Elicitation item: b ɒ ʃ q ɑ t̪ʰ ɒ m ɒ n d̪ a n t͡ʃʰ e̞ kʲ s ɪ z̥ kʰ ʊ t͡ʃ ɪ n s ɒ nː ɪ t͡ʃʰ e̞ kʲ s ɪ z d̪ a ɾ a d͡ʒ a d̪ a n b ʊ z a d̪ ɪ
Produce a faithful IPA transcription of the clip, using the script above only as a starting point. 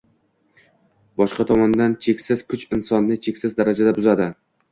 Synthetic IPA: b ɒ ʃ q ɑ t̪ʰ ɒ m ɒ n d̪ a n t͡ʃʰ e̞ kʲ s ɪ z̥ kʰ ʊ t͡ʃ ɪ n s ɒ nː ɪ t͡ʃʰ e̞ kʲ s ɪ z d̪ a ɾ a d͡ʒ a d̪ a b ʊ z a d̪ ɪ